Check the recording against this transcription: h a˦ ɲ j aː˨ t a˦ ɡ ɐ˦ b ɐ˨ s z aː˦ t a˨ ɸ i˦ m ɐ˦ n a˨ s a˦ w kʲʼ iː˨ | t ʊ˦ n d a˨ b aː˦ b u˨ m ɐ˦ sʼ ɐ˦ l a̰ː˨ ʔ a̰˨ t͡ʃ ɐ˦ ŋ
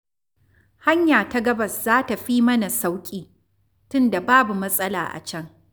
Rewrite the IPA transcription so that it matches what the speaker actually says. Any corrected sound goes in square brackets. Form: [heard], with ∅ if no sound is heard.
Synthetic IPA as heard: h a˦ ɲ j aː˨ t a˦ ɡ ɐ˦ b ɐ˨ s z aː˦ t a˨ ɸ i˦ m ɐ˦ n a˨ s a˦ w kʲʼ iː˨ | t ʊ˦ n d a˨ b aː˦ b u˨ m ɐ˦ sʼ ɐ˦ l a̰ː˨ ʔ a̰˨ t͡ʃ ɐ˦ ŋ